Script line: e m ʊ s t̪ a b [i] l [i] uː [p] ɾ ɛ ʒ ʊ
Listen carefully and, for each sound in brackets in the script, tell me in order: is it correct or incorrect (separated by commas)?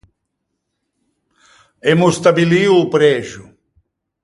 correct, correct, correct